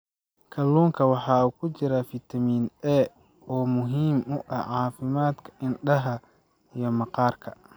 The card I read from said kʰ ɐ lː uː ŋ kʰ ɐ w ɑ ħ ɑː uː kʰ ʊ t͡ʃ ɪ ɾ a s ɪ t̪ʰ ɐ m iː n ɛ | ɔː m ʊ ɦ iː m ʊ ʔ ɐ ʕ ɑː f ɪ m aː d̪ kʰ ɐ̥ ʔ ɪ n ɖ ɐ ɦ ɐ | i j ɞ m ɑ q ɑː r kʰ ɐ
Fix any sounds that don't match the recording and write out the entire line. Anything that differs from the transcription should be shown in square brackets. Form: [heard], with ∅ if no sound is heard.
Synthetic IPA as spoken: kʰ ɐ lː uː ŋ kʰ ɐ w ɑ ħ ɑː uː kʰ ʊ t͡ʃ ɪ ɾ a [f] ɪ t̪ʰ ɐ m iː n ɛ | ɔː m ʊ ɦ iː m ʊ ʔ ɐ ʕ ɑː f ɪ m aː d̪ kʰ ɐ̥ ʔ ɪ n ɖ ɐ ɦ ɐ | i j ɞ m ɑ q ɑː r kʰ ɐ